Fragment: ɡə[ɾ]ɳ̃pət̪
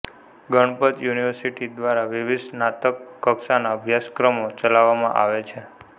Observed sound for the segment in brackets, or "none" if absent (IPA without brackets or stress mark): none